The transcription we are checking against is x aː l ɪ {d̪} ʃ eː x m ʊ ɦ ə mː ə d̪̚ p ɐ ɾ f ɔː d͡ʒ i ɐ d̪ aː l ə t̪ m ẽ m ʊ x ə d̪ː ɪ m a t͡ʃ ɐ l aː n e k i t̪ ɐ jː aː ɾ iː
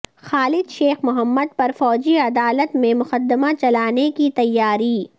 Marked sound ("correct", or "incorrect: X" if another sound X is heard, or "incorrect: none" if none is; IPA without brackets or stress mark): correct